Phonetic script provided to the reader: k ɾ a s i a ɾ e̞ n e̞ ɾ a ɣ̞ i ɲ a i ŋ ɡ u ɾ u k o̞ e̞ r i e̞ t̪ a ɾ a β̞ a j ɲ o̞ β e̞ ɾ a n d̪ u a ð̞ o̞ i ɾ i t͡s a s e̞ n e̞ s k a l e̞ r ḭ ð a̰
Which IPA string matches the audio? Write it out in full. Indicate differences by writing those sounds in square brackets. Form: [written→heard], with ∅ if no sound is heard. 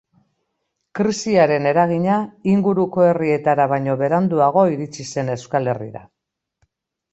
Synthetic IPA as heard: k ɾ [a→i] s i a ɾ e̞ n e̞ ɾ a ɣ̞ i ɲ a i ŋ ɡ u ɾ u k o̞ e̞ r i e̞ t̪ a ɾ a β̞ a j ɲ o̞ β e̞ ɾ a n d̪ u a [ð̞→ɣ̞] o̞ i ɾ i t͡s [a→i] s e̞ n e̞ s k a l e̞ r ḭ ð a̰